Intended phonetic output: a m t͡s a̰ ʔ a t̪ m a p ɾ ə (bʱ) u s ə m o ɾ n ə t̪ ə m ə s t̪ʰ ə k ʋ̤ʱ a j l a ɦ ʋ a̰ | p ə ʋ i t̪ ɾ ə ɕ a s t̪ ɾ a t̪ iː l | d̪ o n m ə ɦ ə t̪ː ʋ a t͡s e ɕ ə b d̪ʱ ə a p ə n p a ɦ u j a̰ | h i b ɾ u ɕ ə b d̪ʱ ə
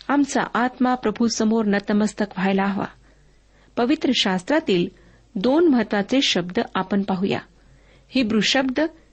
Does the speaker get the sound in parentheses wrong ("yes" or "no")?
no